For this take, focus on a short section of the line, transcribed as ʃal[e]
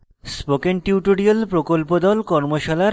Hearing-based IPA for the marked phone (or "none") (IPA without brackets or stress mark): a